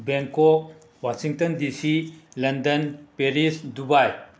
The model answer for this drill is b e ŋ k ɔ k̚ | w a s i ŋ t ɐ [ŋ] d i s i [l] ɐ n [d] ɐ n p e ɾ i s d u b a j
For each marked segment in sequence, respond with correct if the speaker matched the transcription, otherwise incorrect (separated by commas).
incorrect, correct, correct